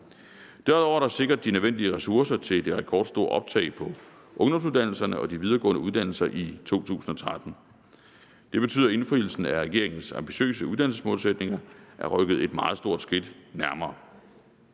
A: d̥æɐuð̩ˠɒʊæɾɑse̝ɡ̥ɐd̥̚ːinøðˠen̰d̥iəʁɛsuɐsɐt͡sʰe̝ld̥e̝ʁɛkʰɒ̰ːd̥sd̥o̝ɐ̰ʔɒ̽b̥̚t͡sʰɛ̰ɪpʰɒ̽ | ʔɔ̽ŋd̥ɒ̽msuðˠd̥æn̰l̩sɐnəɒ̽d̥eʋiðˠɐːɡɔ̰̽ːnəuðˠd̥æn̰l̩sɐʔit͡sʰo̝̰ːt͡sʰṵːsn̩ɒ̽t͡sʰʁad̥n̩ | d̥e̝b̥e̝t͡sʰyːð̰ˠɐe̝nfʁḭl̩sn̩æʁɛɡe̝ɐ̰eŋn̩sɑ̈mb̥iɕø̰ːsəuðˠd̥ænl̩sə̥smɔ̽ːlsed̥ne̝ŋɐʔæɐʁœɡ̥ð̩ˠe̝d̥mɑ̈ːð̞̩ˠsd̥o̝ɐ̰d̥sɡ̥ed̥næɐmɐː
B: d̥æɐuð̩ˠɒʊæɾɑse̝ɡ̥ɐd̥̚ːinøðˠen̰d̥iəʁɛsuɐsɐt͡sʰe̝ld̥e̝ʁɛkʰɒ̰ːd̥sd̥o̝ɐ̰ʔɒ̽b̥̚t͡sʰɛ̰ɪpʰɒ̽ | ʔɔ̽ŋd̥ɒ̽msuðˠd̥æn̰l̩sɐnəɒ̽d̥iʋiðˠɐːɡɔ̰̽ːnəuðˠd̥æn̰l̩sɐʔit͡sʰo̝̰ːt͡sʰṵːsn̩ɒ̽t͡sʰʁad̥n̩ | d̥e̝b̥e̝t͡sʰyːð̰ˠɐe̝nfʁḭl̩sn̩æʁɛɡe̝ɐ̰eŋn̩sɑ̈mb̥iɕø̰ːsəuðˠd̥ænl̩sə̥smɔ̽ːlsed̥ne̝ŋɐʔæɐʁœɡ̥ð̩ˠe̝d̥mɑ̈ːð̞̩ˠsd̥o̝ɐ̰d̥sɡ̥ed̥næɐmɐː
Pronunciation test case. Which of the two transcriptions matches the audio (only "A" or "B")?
B